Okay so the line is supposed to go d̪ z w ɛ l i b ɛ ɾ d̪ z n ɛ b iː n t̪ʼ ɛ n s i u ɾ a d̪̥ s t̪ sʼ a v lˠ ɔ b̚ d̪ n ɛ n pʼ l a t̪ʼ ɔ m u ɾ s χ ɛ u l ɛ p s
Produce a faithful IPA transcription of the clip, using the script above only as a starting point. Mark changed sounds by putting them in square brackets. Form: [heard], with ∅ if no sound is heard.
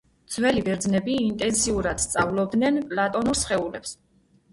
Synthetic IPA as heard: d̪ z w ɛ l i b ɛ ɾ d̪ z n ɛ b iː n t̪ʼ ɛ n s i u ɾ a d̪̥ s t̪ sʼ a v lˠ ɔ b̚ d̪ n ɛ n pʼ l a t̪ʼ ɔ [n] u ɾ s χ ɛ u l ɛ p s